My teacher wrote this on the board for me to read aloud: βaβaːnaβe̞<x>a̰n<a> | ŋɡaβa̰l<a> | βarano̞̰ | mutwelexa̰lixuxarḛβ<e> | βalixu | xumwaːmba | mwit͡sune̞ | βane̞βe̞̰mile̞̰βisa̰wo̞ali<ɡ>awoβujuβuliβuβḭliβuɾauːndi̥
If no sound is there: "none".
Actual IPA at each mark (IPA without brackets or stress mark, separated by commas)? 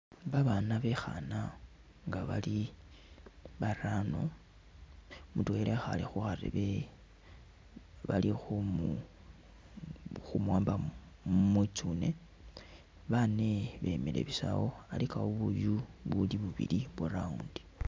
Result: x, a, i, e, k